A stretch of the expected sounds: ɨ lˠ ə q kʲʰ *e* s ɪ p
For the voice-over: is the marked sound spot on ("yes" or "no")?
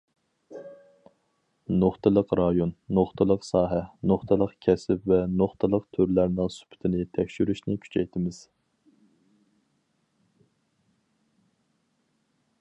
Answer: no